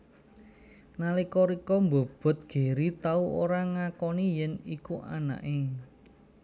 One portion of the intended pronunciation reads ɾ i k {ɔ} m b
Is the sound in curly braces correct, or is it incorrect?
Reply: correct